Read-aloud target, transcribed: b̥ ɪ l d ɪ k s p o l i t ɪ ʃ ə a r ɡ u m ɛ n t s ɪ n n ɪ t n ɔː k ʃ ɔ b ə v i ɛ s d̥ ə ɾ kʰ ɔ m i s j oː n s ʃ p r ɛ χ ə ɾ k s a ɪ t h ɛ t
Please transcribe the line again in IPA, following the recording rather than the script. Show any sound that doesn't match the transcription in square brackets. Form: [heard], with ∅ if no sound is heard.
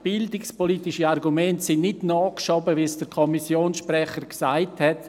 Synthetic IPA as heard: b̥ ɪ l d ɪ k s p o l i t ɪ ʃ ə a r ɡ u m ɛ n t s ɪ n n ɪ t n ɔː k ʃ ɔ b ə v i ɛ s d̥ ə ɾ kʰ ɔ m i s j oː n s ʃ p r ɛ χ ə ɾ k s a ɪ t h ɛ t